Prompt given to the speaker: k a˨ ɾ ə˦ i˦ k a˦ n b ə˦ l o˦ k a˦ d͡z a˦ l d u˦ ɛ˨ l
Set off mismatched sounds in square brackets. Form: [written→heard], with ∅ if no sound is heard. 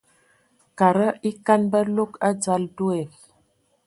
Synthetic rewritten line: k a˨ ɾ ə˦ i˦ k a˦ n b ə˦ l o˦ k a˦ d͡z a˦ l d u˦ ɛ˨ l